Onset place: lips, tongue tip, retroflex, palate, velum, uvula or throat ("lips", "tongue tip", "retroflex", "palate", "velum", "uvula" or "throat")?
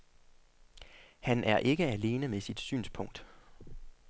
throat